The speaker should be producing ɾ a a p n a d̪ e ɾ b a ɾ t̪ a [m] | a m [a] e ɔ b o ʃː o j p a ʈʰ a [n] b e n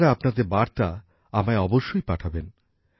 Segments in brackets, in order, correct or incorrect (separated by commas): incorrect, correct, incorrect